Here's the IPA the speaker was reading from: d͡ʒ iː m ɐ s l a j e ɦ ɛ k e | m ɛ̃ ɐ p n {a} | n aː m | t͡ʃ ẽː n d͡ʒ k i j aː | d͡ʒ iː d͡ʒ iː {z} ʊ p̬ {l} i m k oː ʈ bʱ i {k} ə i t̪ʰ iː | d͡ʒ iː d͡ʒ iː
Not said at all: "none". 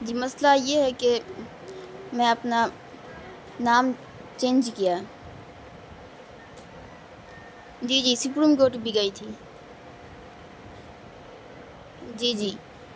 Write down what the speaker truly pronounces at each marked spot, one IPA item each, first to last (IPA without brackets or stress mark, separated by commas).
a, s, ɾ, ɡ